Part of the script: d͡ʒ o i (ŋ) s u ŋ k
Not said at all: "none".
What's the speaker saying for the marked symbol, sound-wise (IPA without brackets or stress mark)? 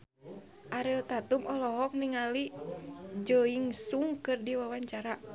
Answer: ŋ